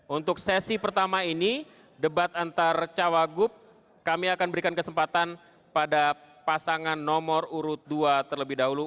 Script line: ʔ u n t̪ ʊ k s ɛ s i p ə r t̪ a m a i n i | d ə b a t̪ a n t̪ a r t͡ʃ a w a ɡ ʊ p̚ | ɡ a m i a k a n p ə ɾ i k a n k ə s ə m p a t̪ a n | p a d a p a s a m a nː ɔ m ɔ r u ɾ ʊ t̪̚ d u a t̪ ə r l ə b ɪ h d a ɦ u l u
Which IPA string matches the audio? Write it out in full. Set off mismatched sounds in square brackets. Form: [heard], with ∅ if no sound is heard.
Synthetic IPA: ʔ u n t̪ ʊ k s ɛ s i p ə r t̪ a m a i n i | d ə b a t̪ a n t̪ a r t͡ʃ a w a ɡ ʊ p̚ | [k] a m i a k a n [b] ə ɾ i k a n k ə s ə m p a t̪ a n | p a d a p a s a [ŋ] a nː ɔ m ɔ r u ɾ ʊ t̪̚ d u a t̪ ə r l ə b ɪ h d a ɦ u l u